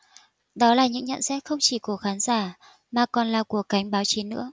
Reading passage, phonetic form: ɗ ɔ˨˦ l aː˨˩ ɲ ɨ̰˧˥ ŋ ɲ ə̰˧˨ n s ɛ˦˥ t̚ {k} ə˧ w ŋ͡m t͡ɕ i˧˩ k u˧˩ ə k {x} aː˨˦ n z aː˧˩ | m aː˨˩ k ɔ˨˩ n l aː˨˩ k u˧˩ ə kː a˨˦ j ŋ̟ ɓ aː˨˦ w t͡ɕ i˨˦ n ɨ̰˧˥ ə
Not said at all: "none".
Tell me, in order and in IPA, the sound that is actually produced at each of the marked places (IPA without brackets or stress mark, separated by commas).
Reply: x, x